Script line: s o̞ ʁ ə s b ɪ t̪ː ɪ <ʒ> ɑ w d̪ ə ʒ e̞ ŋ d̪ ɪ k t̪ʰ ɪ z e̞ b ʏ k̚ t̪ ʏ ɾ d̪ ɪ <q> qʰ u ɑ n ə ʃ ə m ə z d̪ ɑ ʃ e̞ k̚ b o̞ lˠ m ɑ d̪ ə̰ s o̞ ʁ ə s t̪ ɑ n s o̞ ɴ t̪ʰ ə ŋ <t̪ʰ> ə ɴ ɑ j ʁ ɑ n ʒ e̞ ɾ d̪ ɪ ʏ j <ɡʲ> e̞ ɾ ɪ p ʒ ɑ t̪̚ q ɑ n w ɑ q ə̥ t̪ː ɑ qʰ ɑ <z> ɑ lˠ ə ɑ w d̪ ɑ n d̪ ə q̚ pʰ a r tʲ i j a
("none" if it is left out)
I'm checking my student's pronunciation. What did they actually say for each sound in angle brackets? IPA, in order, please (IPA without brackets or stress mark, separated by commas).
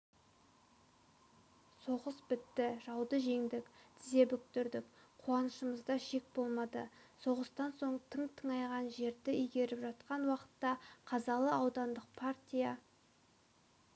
ʒ, k, t̪ʰ, ɡʲ, z